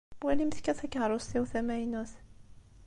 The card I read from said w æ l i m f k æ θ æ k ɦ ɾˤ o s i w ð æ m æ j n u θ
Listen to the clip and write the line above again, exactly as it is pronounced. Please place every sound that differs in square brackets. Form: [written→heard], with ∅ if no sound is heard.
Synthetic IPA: w æ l i m [f→θ] k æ θ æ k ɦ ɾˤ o s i w [ð→θ] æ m æ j n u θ